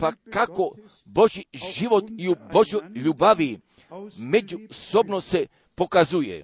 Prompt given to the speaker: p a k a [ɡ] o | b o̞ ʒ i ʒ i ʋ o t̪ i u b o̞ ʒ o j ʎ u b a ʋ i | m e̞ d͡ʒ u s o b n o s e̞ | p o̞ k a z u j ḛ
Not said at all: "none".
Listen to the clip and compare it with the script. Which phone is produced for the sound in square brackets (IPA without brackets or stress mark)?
k